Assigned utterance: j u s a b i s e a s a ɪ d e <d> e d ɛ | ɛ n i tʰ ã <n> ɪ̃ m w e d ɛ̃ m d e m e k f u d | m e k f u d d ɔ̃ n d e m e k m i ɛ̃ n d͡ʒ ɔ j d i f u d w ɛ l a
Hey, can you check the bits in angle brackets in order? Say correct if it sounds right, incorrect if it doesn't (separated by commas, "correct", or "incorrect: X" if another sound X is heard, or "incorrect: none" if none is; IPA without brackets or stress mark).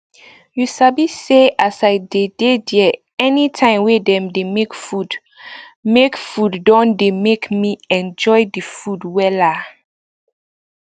correct, incorrect: none